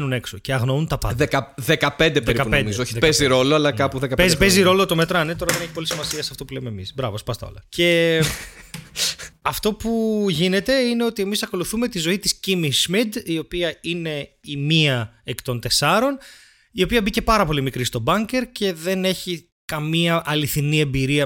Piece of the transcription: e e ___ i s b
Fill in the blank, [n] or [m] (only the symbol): m